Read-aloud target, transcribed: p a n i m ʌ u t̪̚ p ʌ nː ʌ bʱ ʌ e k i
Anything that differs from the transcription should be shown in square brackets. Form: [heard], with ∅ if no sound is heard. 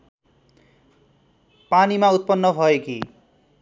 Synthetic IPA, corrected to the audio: p a n i m [a] u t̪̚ p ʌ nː ʌ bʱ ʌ e k i